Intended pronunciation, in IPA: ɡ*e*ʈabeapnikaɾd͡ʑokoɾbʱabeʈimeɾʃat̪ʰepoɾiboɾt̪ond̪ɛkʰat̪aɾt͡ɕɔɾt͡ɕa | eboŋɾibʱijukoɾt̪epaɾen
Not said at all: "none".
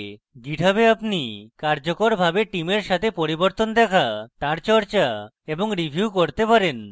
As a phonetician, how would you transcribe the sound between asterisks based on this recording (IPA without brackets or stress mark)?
i